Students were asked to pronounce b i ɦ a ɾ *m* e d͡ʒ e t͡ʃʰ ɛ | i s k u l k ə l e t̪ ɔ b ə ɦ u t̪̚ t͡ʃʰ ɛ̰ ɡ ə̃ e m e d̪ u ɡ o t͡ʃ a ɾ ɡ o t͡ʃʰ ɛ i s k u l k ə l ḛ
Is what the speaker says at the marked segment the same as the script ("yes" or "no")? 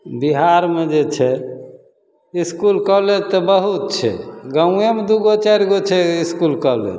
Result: yes